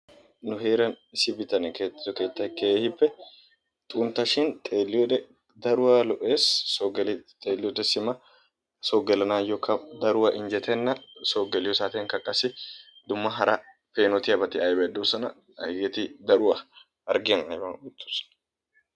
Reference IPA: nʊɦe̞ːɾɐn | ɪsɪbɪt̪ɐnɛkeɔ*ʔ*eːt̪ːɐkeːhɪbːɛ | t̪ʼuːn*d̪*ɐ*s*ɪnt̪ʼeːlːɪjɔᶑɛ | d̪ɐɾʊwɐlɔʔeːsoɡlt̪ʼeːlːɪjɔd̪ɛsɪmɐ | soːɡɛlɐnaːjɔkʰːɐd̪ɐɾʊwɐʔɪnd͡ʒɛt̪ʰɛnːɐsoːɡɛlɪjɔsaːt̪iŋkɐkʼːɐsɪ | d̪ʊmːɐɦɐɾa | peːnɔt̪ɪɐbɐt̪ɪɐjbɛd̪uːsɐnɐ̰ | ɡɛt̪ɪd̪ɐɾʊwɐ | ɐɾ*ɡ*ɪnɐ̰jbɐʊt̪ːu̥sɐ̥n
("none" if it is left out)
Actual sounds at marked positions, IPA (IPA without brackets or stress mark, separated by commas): k, t̪, ʃ, ɡ